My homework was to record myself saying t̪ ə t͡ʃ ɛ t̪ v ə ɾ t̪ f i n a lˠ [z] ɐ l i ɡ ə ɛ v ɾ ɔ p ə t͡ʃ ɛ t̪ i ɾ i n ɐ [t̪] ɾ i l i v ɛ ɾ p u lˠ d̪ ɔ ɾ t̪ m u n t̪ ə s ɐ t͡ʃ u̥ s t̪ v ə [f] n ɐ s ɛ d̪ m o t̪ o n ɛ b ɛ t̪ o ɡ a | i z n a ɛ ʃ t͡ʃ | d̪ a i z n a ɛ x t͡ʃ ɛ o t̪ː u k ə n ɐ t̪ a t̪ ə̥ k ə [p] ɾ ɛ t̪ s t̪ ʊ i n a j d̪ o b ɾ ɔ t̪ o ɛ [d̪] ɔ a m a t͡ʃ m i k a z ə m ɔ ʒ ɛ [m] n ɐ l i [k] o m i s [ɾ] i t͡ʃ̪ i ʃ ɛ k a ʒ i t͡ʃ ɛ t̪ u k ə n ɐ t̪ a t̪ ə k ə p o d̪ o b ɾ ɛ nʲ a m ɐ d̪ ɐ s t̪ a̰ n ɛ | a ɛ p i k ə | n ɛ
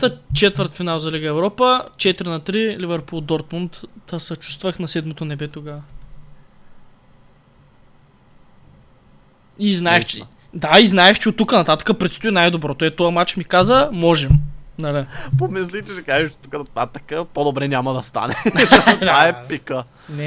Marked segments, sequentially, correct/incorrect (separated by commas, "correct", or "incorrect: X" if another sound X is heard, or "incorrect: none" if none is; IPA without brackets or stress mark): correct, correct, incorrect: x, correct, incorrect: t̪, correct, incorrect: p, incorrect: l